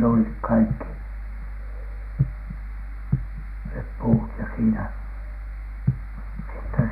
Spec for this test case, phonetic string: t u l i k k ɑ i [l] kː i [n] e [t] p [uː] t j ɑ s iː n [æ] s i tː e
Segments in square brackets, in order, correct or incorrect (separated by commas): incorrect, correct, incorrect, correct, correct